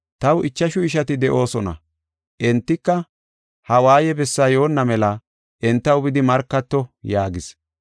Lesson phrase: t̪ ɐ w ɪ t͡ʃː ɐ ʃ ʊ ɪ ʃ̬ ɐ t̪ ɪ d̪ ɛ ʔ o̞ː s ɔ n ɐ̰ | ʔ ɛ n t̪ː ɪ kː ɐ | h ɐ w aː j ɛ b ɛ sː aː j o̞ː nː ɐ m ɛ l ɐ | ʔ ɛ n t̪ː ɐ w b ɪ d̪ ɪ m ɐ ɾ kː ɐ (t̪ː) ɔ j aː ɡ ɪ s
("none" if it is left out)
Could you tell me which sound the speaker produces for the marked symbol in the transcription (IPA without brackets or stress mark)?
t̪ː